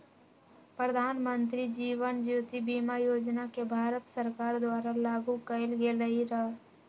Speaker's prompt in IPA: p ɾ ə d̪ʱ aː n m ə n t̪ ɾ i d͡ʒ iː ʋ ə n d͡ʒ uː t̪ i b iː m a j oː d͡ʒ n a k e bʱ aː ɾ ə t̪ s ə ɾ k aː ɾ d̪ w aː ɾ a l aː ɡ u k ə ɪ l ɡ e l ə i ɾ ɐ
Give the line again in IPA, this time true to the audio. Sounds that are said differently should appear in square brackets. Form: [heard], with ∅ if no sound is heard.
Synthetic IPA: p ɾ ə d̪ʱ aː n m ə n t̪ ɾ i d͡ʒ iː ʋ ə n d͡ʒ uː t̪ i b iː m a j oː d͡ʒ n a k e bʱ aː ɾ ə t̪ s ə ɾ k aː ɾ d̪ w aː ɾ a l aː ɡ u k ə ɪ l ɡ e l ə i ɾ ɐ